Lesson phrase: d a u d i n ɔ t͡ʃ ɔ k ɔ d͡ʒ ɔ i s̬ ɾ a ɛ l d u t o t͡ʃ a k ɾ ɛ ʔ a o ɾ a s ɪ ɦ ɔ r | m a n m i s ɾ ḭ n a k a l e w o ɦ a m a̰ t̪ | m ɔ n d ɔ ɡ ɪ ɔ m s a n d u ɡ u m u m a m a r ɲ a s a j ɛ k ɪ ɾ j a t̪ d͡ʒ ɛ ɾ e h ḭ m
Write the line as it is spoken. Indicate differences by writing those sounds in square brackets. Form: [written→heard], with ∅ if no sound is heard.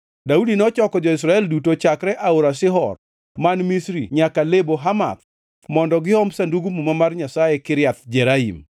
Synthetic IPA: d a u d i n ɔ t͡ʃ ɔ k ɔ d͡ʒ ɔ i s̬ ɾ a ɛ l d u t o t͡ʃ a k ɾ ɛ ʔ a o ɾ a s ɪ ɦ ɔ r | m a n m i s ɾ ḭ [n→ɲ] a k a l e [w→b] o ɦ a m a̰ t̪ | m ɔ n d ɔ ɡ ɪ ɔ m s a n d u ɡ u m u m a m a r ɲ a s a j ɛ k ɪ ɾ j a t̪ d͡ʒ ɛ ɾ [e→a] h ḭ m